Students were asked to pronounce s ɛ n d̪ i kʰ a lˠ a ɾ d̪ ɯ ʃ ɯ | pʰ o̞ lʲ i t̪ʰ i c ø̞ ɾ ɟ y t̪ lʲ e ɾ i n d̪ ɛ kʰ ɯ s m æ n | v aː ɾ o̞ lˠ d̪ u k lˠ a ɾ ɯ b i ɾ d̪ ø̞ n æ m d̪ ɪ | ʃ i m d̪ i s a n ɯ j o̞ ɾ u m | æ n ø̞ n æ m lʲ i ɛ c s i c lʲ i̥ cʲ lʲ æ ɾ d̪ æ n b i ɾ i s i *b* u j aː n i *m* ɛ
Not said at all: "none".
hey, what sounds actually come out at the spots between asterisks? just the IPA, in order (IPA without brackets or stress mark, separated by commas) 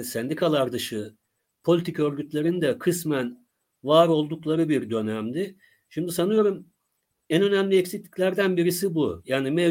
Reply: b, m